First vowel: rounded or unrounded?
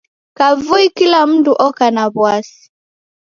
unrounded